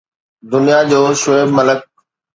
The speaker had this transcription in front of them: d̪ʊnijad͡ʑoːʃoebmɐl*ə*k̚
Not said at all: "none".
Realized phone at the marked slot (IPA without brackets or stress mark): ə